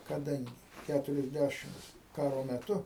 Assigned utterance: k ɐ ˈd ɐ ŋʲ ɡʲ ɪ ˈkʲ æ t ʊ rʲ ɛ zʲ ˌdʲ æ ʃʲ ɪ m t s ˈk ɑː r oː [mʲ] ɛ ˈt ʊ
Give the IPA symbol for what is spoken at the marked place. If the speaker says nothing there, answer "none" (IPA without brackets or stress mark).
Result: mʲ